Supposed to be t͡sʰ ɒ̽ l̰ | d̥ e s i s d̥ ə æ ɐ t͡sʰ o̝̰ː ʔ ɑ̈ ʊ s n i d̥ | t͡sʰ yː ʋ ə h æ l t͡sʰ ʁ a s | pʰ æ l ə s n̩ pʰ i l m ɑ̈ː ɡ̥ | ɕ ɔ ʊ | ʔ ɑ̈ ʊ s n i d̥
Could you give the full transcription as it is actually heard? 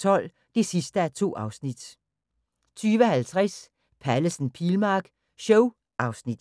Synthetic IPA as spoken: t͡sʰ ɒ̽ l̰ | d̥ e s i s d̥ ə æ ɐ t͡sʰ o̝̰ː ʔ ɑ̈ ʊ s n i d̥ | t͡sʰ yː ʋ ə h æ l t͡sʰ ʁ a s | pʰ æ l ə s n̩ pʰ i l m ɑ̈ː ɡ̥ | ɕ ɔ ʊ | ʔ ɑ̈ ʊ s n i d̥

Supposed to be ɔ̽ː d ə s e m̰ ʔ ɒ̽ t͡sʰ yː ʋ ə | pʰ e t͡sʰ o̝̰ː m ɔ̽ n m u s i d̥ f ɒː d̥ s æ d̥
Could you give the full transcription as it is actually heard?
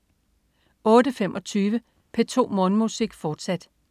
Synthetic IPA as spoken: ɔ̽ː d ə f e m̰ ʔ ɒ̽ t͡sʰ yː ʋ ə | pʰ e t͡sʰ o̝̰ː m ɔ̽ n m u s i ɡ̥ f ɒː d̥ s æ d̥

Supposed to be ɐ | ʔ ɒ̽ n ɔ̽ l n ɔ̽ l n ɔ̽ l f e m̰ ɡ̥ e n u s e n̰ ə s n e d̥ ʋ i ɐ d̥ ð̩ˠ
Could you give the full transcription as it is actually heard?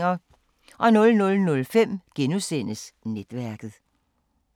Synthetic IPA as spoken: ɐ | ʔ ɒ̽ n ɔ̽ l n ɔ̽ l n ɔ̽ l f e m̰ ɡ̥ e n u s e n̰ ə s n e d̥ ʋ æ ɐ ɡ̥ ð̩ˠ

